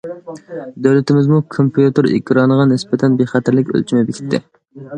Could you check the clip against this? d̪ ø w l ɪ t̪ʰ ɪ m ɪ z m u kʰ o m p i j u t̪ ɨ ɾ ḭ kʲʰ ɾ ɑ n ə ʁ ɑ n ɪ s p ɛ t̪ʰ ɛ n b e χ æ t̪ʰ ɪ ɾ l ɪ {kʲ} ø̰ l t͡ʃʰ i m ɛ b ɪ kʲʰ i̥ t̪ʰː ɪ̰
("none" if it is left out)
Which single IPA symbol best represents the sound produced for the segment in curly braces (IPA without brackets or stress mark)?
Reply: kʲ